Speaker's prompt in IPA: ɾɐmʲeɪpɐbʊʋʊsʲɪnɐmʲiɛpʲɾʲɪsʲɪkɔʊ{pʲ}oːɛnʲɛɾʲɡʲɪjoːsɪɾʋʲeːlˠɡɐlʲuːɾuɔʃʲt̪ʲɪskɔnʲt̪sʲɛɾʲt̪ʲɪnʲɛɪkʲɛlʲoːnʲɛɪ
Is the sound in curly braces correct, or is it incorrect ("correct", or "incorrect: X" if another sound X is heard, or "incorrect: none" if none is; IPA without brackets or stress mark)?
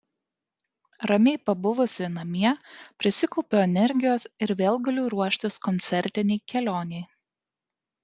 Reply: correct